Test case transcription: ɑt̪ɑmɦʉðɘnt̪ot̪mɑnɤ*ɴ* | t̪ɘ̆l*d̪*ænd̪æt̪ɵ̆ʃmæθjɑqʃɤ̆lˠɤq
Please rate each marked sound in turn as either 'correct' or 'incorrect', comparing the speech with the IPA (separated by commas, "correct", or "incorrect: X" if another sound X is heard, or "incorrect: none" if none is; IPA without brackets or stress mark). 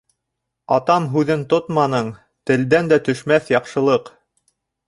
correct, correct